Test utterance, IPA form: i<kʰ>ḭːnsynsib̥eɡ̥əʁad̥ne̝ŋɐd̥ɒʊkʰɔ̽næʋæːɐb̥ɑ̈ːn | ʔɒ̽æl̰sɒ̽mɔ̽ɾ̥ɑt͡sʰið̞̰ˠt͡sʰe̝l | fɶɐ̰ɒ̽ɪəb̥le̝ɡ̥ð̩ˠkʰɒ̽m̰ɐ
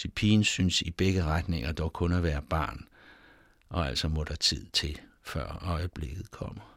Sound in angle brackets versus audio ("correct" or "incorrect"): incorrect